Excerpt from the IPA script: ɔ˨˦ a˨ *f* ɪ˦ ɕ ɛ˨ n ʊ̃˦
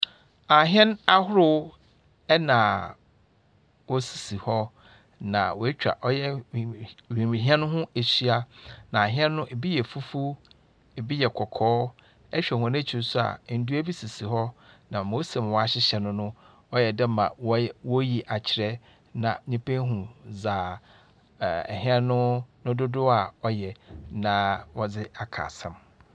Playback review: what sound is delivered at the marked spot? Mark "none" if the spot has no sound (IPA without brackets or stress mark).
ɕ